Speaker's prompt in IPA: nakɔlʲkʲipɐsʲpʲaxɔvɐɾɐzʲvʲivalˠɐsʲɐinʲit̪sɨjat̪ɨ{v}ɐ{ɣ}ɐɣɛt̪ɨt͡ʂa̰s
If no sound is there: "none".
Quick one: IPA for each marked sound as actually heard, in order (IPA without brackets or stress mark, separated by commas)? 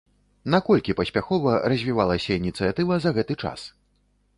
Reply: v, z